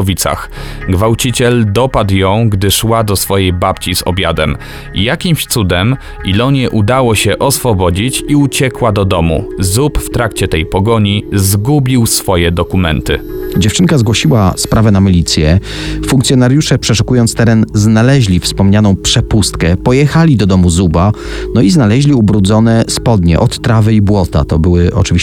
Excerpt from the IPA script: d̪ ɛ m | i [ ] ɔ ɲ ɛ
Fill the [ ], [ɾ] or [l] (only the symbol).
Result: l